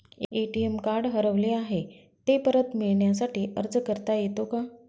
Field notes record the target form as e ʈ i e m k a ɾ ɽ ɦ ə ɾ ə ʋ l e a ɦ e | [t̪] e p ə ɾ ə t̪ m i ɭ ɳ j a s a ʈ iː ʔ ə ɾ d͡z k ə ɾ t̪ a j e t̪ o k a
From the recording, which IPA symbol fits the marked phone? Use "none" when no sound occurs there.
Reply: t̪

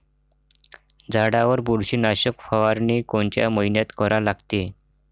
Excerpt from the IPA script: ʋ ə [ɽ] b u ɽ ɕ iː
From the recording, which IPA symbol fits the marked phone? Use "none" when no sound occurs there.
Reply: ɾ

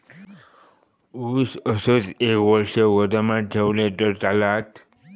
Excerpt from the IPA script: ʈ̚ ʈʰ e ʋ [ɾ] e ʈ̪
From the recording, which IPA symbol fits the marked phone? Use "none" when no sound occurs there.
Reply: l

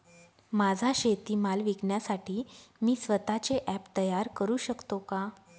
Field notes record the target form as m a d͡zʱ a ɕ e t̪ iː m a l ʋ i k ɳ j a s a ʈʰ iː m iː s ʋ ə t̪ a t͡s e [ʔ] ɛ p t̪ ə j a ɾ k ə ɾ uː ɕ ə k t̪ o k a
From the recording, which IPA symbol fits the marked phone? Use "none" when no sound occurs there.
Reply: ʔ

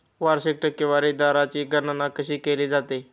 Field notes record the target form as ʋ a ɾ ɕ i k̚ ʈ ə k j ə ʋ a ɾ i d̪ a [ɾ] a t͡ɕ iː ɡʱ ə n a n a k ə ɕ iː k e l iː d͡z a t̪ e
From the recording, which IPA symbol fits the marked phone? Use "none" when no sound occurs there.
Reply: ɾ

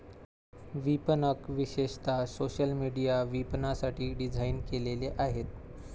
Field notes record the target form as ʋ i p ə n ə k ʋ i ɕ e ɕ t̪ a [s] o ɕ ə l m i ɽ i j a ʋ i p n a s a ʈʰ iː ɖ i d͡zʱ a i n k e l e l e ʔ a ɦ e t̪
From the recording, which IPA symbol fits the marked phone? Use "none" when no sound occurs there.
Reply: s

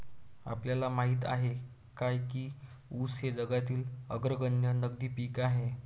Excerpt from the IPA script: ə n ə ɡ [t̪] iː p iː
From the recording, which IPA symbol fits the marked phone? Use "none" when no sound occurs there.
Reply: d̪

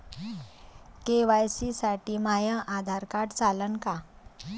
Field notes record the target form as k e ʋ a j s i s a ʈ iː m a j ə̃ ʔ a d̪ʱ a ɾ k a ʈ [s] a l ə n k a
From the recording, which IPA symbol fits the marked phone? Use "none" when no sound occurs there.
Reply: t͡s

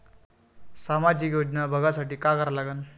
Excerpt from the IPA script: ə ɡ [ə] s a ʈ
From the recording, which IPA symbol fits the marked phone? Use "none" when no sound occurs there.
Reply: a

